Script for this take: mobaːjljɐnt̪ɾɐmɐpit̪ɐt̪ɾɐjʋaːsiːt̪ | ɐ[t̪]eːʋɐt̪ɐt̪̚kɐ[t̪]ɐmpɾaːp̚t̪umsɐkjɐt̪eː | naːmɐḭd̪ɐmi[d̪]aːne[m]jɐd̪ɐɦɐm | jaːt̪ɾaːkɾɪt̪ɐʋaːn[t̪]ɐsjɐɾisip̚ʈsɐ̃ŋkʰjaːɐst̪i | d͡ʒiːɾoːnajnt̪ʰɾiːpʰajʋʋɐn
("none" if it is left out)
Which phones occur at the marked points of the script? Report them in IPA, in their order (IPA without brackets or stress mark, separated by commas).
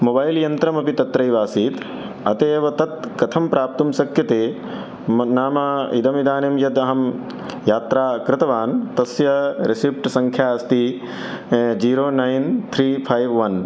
t̪, t̪ʰ, d̪, m, t̪